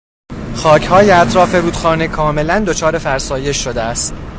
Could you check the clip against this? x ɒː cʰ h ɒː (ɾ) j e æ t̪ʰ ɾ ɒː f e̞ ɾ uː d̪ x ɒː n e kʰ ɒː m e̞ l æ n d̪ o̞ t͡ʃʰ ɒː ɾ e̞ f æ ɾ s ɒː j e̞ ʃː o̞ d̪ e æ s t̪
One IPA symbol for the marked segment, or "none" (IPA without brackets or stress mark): none